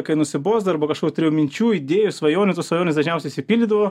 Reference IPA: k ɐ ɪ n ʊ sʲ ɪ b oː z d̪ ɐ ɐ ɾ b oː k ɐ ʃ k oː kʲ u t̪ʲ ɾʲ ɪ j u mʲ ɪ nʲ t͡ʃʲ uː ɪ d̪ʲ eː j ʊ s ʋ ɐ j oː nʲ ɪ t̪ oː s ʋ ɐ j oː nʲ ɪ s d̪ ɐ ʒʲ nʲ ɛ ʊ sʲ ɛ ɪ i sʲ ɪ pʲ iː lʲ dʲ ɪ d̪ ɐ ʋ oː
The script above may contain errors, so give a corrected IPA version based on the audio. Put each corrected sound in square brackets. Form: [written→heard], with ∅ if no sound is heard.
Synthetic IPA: k ɐ ɪ n ʊ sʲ ɪ b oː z d̪ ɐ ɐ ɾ b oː k ɐ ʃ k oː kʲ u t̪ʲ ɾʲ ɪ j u mʲ ɪ nʲ t͡ʃʲ uː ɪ d̪ʲ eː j ʊ s ʋ ɐ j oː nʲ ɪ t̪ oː s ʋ ɐ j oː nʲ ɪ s d̪ ɐ ʒʲ nʲ ɛ ʊ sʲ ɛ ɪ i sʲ ɪ pʲ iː lʲ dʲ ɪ d̪ ɐ ʋ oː